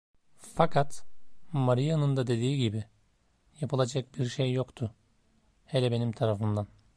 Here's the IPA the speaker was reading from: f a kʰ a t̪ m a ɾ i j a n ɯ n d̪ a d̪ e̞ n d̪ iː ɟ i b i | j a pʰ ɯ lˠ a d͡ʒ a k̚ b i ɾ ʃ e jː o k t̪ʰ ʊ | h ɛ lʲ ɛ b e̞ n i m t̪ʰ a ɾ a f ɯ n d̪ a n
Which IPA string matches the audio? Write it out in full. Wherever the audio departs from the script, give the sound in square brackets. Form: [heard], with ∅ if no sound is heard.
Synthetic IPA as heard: f a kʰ a t̪ m a ɾ i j a n ɯ n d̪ a d̪ e̞ [∅] d̪ iː ɟ i b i | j a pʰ ɯ lˠ a d͡ʒ a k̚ b i ɾ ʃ e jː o k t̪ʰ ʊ | h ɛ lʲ ɛ b e̞ n i m t̪ʰ a ɾ a f ɯ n d̪ a n